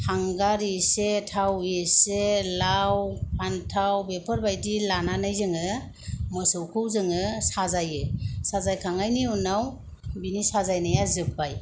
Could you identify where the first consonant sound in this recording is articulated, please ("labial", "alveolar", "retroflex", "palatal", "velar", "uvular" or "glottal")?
glottal